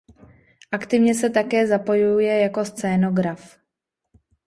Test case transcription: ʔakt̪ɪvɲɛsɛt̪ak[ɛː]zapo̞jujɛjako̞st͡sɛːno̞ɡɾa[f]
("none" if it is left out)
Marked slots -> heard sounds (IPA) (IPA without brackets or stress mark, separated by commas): ɛː, f